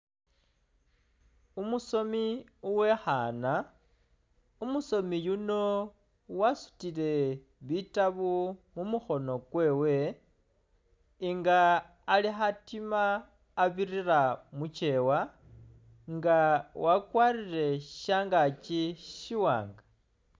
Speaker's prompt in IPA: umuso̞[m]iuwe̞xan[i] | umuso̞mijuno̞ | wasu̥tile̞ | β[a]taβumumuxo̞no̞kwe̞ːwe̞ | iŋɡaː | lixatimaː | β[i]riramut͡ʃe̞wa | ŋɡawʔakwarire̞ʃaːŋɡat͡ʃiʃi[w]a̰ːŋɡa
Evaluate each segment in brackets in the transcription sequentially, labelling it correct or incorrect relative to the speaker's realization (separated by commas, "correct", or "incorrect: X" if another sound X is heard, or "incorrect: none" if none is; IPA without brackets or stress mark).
correct, incorrect: a, incorrect: i, correct, correct